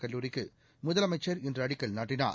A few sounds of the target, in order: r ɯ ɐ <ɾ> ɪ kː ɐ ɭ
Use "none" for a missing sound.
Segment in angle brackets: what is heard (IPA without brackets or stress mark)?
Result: ɽ